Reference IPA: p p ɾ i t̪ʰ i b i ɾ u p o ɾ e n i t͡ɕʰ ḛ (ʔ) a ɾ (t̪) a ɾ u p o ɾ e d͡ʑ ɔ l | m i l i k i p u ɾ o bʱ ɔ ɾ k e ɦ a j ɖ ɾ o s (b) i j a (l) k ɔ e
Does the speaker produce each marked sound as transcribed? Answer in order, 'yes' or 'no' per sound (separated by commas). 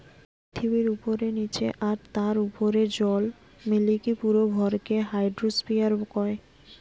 yes, yes, no, no